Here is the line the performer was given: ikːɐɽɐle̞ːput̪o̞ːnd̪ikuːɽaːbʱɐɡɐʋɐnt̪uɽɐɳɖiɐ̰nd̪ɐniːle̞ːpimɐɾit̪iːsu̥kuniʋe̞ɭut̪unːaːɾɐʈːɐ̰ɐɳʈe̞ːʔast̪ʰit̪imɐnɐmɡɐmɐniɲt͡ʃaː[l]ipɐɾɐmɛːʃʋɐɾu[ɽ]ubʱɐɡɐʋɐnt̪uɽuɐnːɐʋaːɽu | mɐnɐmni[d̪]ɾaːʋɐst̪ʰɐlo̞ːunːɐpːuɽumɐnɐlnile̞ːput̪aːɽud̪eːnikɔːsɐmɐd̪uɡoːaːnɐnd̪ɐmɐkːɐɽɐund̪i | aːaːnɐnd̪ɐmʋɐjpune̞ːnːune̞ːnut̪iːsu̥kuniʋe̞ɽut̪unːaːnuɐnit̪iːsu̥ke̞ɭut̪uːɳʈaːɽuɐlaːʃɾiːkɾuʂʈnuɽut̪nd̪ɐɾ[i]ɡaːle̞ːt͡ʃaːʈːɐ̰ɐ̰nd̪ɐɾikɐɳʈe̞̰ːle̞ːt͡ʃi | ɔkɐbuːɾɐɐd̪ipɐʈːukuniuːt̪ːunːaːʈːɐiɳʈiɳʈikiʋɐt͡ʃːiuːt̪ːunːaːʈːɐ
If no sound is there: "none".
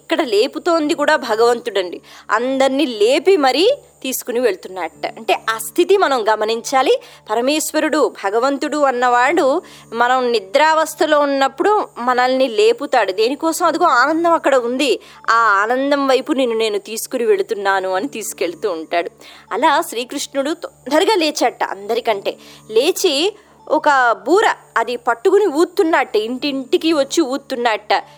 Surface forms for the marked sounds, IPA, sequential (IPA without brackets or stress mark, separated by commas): l, ɽ, d̪, i